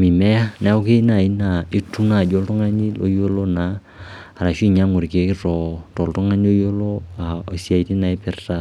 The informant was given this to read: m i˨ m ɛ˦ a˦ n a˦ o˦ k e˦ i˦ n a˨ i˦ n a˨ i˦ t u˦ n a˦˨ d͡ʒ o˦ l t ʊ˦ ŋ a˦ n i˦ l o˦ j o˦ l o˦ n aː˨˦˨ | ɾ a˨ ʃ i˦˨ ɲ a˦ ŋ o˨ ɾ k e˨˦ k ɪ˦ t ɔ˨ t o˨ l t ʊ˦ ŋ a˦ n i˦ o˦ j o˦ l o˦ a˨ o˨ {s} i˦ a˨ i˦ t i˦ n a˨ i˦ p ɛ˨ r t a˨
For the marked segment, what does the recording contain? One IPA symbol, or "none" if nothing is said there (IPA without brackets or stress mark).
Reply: s